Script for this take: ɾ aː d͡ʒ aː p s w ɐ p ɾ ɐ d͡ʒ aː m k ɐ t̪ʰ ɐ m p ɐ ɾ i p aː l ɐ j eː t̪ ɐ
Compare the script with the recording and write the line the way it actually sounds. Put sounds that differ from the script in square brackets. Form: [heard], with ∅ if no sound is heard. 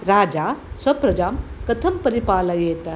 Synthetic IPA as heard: ɾ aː d͡ʒ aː [∅] s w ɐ p ɾ ɐ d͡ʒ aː m k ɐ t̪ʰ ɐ m p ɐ ɾ i p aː l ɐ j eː t̪ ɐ